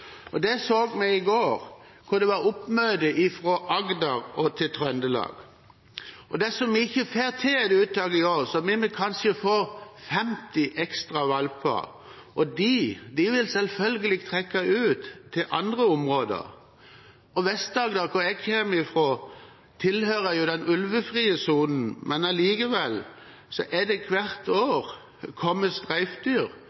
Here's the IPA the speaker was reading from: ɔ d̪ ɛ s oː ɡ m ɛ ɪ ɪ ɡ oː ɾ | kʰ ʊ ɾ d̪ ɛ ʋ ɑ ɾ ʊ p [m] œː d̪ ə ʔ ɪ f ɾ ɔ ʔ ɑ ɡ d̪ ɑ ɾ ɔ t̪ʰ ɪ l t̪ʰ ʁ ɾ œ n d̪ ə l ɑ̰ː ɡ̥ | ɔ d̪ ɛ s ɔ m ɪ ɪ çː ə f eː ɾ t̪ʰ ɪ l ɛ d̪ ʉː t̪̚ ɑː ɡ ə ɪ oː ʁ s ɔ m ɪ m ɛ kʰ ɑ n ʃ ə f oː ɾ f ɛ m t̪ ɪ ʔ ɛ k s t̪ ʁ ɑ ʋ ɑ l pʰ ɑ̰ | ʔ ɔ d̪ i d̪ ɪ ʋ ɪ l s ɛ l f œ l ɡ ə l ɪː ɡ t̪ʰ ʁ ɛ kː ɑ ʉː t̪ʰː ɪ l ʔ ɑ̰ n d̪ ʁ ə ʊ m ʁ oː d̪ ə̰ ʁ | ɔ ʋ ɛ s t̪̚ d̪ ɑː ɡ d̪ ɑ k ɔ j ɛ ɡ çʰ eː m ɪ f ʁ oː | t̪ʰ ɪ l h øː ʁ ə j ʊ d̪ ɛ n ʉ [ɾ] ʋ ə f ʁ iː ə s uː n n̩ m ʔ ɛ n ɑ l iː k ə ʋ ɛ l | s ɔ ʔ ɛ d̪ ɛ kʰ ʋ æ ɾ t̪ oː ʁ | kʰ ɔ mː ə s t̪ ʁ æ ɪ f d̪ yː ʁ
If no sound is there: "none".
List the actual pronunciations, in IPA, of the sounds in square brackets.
m, l

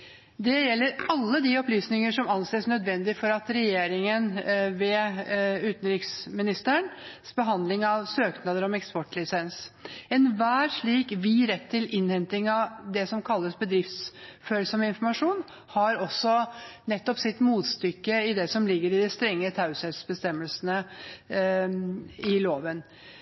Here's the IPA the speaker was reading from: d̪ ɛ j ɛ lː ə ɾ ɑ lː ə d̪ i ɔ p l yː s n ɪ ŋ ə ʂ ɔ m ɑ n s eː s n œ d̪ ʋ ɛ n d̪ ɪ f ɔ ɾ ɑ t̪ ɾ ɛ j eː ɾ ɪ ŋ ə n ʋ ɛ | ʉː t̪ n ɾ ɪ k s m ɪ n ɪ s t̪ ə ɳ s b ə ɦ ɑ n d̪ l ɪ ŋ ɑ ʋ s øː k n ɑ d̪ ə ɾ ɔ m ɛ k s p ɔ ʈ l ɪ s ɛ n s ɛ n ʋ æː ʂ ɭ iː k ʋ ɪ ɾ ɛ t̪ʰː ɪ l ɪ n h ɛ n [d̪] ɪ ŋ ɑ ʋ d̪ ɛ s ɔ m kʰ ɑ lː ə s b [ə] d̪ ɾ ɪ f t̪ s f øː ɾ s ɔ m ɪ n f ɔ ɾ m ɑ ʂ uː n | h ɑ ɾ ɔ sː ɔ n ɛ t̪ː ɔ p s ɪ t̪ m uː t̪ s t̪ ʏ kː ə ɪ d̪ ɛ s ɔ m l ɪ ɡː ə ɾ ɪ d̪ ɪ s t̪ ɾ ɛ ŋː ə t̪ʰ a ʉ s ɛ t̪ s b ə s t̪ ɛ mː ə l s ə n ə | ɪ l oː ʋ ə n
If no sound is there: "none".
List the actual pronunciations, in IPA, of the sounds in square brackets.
t̪, ə

